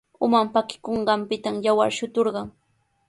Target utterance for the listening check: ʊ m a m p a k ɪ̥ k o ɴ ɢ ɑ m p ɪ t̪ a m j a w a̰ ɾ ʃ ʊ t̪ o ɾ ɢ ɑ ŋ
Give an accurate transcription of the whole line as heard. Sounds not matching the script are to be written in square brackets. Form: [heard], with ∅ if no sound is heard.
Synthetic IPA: ʊ m a m p a k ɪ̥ k o ɴ ɢ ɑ m p ɪ t̪ a m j a w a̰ ɾ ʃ ʊ t̪ o ɾ ɢ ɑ ŋ